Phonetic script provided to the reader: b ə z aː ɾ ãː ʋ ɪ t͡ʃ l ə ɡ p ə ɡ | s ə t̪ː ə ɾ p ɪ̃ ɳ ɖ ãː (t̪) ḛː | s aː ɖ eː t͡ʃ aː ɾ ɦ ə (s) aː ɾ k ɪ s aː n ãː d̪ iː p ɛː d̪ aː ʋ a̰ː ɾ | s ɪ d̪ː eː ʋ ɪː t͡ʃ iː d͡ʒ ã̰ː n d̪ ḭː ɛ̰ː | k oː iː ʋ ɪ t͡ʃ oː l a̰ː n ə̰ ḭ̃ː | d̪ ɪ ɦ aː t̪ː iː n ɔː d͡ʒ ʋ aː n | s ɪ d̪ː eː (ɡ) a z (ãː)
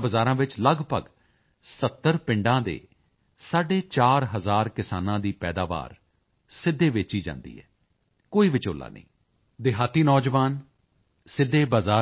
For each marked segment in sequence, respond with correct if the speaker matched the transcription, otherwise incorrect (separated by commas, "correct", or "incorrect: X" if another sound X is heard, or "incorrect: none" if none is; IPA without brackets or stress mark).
incorrect: d̪, incorrect: z, incorrect: b, incorrect: aː